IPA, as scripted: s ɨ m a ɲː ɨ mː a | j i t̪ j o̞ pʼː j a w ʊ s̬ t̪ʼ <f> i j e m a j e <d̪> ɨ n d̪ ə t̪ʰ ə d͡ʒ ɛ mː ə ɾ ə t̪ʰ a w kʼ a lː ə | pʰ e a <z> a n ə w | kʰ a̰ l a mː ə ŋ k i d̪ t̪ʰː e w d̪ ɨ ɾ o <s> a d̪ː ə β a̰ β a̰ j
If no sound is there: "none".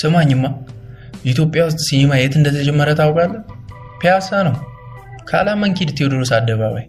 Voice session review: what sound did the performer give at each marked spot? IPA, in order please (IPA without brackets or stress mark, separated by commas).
s, t̪, s, s